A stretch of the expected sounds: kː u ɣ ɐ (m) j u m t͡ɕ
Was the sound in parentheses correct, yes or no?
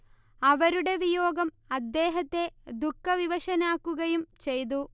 no